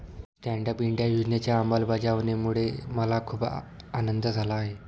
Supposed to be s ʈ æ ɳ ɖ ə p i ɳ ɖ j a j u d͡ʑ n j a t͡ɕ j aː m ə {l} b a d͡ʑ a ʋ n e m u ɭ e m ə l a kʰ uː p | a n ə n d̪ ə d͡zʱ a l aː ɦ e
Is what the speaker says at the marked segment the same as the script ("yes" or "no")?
yes